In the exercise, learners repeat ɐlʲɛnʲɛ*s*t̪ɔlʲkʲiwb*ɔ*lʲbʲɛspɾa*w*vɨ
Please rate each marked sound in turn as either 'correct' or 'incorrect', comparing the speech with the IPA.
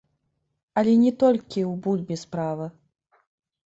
incorrect: none, incorrect: u, incorrect: none

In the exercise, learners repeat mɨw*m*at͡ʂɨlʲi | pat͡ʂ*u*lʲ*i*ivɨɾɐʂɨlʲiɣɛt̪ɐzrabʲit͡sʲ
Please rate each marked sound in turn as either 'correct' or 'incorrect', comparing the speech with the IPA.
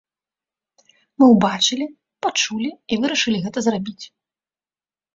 incorrect: b, correct, correct

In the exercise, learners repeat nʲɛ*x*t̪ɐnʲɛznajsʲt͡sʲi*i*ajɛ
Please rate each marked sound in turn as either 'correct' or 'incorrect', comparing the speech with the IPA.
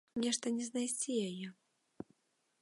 incorrect: ʂ, incorrect: j

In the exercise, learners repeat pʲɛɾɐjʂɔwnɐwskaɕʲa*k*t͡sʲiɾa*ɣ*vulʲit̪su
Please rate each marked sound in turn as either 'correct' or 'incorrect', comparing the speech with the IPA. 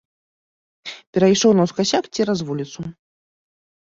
correct, incorrect: z

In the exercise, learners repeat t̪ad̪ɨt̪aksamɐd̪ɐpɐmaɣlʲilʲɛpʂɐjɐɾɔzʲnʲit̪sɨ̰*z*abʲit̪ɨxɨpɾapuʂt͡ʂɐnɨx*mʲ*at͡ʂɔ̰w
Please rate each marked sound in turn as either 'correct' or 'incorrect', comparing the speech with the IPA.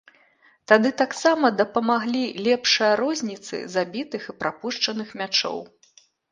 correct, correct

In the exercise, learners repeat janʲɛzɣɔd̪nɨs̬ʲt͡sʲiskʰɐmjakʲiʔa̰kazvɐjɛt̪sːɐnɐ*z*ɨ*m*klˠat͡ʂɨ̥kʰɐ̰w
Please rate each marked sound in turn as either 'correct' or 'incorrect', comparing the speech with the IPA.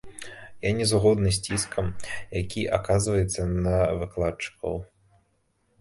incorrect: v, incorrect: none

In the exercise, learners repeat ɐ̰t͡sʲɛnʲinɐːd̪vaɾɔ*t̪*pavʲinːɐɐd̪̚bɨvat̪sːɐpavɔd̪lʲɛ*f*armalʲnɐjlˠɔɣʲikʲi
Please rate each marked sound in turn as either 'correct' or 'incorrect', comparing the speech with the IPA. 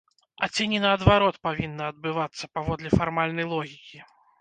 correct, correct

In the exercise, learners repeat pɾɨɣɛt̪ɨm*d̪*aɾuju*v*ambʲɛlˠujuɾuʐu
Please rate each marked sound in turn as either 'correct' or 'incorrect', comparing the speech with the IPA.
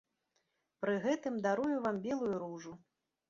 correct, correct

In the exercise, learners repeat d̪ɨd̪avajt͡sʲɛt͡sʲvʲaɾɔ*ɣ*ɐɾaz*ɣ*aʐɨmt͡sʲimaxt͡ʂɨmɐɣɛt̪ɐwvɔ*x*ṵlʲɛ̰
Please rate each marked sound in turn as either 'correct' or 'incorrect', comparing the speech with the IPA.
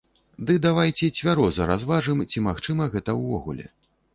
incorrect: z, incorrect: v, incorrect: ɣ

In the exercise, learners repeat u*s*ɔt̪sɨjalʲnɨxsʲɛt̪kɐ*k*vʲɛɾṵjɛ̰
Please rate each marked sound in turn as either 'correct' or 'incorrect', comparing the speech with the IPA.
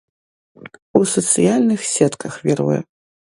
correct, incorrect: x

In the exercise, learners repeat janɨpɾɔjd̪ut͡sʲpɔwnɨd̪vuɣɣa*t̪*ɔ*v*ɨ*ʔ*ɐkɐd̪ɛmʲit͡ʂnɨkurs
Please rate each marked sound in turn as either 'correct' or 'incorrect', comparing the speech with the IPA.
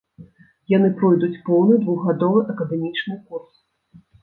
incorrect: d̪, correct, correct

